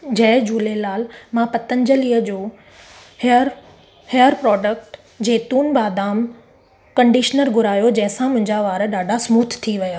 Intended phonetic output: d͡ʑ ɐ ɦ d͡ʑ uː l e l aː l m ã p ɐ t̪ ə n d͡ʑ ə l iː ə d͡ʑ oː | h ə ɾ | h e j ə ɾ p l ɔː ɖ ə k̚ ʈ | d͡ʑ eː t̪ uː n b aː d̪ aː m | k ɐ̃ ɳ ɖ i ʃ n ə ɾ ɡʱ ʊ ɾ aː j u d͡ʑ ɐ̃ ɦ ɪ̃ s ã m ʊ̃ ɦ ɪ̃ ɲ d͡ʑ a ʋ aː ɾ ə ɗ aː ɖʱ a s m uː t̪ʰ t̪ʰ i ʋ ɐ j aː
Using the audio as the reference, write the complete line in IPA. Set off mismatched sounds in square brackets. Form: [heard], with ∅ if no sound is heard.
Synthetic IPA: d͡ʑ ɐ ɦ d͡ʑ uː l e l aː l m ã p ɐ t̪ ə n d͡ʑ ə l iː ə d͡ʑ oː | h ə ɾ | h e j ə ɾ p [ɾ] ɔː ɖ ə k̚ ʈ | d͡ʑ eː t̪ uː n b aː d̪ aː m | k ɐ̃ ɳ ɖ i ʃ n ə ɾ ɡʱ ʊ ɾ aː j [o] d͡ʑ ɐ̃ ɦ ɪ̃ s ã m ʊ̃ ɦ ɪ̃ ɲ d͡ʑ a ʋ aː ɾ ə ɗ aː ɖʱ a s m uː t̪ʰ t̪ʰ i ʋ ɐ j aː